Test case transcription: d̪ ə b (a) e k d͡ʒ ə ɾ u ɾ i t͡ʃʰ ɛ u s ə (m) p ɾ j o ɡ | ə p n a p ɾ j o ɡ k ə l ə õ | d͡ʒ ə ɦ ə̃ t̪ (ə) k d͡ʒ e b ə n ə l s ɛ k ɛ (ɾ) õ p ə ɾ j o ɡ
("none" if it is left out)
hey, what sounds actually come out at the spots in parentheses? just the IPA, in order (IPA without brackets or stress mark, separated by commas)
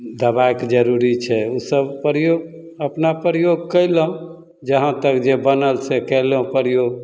a, b, ə, l